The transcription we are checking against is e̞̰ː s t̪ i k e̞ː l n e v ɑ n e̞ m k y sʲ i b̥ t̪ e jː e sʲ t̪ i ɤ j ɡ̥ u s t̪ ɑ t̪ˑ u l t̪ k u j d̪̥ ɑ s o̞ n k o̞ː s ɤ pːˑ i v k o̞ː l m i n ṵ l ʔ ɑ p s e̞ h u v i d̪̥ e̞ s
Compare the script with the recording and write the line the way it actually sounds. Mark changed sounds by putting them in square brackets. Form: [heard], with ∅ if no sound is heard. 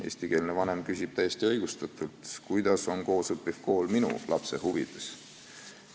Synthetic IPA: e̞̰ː s t̪ i k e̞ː l n e v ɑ n e̞ m k y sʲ i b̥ t̪ [æ] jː e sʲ t̪ i ɤ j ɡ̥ u s t̪ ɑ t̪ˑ u l t̪ k u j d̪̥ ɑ s o̞ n k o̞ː s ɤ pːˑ i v k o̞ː l m i n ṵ l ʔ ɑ p s e̞ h u v i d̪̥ e̞ s